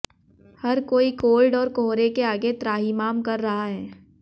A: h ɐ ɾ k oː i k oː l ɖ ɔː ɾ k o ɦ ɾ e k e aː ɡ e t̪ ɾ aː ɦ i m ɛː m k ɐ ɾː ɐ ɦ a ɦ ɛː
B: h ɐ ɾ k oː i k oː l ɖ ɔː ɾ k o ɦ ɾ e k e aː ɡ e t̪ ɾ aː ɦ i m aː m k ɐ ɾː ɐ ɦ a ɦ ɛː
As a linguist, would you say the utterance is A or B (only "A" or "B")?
B